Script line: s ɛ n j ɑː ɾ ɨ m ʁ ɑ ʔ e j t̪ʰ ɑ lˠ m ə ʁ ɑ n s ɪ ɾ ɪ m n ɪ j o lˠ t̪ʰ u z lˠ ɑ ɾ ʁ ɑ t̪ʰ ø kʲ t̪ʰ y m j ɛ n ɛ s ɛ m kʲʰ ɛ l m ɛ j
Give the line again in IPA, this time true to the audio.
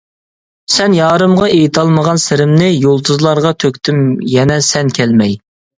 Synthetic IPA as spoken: s ɛ n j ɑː ɾ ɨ m ʁ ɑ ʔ e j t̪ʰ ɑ lˠ m ə ʁ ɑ n s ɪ ɾ ɪ m n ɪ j o lˠ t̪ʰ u z lˠ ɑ ɾ ʁ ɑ t̪ʰ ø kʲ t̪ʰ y m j ɛ n ɛ s ɛ n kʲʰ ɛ l m ɛ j

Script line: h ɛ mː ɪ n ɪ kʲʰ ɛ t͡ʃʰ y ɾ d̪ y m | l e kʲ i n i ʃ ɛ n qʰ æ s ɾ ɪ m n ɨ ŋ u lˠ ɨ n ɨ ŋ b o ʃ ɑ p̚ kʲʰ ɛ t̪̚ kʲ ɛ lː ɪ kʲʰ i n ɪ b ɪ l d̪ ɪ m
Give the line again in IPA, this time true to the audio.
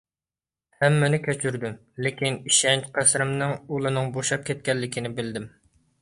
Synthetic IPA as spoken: h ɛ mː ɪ n ɪ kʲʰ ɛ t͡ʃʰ y ɾ d̪ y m | l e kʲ i n i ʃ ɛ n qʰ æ s ɾ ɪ m n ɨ ŋ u lˠ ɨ n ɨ ŋ b o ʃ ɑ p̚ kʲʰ ɛ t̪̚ kʲ ɛ lː ɪ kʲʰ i n ɪ b ɪ l d̪ ɪ m

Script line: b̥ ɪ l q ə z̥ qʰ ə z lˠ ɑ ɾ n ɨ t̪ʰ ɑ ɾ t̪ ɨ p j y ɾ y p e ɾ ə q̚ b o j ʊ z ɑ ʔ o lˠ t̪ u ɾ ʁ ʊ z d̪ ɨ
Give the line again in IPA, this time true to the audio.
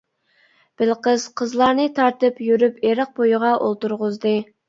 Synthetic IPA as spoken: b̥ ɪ l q ə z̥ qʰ ə z lˠ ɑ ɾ n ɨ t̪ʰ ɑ ɾ t̪ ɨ p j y ɾ y p e ɾ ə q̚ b o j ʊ ʁ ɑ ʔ o lˠ t̪ u ɾ ʁ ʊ z d̪ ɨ

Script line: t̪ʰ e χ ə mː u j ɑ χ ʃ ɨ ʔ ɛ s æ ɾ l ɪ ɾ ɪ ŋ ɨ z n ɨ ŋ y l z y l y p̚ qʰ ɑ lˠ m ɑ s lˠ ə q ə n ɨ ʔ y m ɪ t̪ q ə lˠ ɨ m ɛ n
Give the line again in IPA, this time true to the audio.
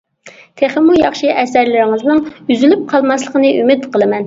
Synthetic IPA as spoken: t̪ʰ e χ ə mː u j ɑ χ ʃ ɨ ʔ ɛ s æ ɾ l ɪ ɾ ɪ ŋ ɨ z n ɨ ŋ y z y l y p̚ qʰ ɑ lˠ m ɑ s lˠ ə q ə n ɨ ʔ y m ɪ t̪ q ə lˠ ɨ m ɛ n

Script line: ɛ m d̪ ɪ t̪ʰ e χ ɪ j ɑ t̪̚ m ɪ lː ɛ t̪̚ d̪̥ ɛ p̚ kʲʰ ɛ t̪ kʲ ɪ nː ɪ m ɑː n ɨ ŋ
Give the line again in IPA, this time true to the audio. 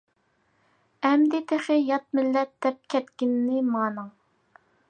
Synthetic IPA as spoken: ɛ m d̪ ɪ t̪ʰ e χ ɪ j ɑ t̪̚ m ɪ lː ɛ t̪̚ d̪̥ ɛ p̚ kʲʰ ɛ t̪ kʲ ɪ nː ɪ m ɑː n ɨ ŋ

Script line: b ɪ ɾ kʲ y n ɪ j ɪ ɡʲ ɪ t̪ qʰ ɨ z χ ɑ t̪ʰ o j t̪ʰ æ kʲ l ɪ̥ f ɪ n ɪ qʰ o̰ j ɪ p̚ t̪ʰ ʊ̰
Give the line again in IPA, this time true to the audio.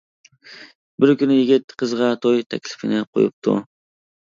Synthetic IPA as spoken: b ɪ ɾ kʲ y n ɪ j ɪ ɡʲ ɪ t̪ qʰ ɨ z ʁ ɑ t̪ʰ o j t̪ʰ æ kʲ l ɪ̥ f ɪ n ɪ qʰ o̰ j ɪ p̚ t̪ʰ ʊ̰

